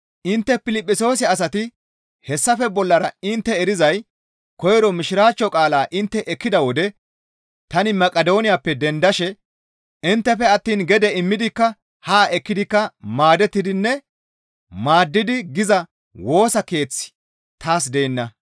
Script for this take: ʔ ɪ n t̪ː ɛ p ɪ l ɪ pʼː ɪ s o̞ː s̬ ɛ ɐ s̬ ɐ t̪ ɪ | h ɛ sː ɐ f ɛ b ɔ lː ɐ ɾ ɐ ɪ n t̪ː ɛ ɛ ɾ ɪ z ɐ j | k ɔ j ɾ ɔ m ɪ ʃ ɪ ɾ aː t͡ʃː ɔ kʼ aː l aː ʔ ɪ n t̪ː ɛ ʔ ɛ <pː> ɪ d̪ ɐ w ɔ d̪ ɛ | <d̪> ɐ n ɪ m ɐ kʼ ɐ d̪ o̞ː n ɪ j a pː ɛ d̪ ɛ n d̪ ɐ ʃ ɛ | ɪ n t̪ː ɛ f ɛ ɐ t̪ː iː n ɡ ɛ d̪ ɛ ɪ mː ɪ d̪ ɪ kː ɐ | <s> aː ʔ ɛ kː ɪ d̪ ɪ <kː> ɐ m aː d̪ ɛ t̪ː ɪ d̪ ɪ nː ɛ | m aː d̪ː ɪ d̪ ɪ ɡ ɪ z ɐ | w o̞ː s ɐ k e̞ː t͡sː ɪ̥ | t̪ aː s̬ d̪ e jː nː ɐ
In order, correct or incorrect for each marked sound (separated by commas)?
incorrect, incorrect, incorrect, correct